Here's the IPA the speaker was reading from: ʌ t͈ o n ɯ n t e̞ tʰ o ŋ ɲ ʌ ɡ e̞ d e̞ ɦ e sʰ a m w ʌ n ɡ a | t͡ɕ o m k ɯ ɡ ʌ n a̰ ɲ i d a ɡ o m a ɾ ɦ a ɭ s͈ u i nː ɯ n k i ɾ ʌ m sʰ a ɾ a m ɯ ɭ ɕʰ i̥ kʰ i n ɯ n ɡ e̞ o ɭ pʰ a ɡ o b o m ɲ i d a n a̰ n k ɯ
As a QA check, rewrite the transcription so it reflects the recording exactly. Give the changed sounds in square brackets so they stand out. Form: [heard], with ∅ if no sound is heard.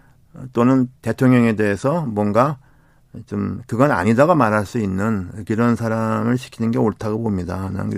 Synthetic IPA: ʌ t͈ o n ɯ n t e̞ tʰ o ŋ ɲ ʌ [ŋ] e̞ d e̞ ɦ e sʰ [ʌ] m w ʌ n ɡ a | t͡ɕ o m k ɯ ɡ ʌ n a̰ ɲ i d a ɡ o m a ɾ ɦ a ɭ s͈ u i nː ɯ n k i ɾ ʌ [n] sʰ a ɾ a m ɯ ɭ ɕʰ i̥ kʰ i n ɯ n ɡ e̞ o ɭ [tʰ] a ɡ o b o m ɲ i d a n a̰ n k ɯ